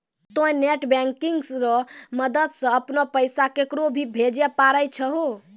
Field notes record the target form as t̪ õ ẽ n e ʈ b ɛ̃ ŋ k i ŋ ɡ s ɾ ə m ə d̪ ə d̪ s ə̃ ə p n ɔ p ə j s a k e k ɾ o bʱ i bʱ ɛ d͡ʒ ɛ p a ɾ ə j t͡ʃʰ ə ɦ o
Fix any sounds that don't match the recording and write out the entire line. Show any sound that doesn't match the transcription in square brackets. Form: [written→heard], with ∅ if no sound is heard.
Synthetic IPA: t̪ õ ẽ n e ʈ b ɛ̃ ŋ k i ŋ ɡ s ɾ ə m ə d̪ ə d̪ s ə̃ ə p n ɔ p ə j s a k e k ɾ o bʱ i bʱ [ɛ→e] d͡ʒ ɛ p a ɾ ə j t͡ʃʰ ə ɦ o